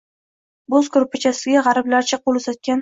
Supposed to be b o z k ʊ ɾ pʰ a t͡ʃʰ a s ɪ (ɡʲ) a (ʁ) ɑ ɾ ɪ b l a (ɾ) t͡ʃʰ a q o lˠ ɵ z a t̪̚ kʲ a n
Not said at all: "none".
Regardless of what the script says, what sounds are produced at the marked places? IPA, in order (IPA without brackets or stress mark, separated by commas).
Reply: ɡʲ, ʁ, ɾ